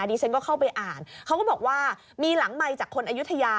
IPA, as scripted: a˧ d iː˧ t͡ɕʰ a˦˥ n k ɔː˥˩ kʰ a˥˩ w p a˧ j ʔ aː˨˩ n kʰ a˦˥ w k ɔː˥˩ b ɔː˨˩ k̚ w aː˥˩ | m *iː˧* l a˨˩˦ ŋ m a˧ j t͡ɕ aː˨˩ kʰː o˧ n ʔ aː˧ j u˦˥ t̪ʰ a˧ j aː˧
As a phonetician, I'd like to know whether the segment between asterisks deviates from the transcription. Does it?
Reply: no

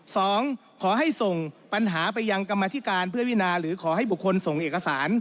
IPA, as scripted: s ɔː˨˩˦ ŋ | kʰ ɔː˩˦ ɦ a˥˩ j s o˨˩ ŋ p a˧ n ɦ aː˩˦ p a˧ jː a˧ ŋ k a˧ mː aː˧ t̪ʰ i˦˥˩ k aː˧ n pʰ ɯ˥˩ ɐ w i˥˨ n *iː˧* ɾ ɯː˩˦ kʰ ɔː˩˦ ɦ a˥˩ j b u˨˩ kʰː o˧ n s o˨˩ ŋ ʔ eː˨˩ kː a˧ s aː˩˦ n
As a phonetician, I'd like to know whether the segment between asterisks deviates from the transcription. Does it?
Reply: yes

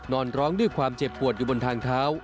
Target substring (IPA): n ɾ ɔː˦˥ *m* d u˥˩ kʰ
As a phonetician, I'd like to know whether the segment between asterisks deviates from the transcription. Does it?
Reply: yes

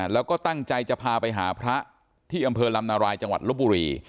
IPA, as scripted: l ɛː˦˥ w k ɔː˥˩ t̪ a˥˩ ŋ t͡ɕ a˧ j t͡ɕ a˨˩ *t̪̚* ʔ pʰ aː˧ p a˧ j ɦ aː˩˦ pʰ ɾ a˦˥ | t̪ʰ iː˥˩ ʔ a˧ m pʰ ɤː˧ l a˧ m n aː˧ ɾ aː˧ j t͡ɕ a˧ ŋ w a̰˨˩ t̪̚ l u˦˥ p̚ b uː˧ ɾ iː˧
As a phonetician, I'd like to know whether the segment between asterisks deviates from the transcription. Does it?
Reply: yes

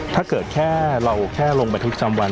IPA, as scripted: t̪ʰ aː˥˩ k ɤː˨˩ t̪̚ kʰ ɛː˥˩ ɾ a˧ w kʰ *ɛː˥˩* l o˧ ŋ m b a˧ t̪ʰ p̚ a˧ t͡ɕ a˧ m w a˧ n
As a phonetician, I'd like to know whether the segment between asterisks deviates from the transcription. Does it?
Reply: no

